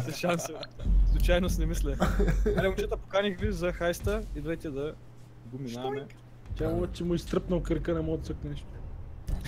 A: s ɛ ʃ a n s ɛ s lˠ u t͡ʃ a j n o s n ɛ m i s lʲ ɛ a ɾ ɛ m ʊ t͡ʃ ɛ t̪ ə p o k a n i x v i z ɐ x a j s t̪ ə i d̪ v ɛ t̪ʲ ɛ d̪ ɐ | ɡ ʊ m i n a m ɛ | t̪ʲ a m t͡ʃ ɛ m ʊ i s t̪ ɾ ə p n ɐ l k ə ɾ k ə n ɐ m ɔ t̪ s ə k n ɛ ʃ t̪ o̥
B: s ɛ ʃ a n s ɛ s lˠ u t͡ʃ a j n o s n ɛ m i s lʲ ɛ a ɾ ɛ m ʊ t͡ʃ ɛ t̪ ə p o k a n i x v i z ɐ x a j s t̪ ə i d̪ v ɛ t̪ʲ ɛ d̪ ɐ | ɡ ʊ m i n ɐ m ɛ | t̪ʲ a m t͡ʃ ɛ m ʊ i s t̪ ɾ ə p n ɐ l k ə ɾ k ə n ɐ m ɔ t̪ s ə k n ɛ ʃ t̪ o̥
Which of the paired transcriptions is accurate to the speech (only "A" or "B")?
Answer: A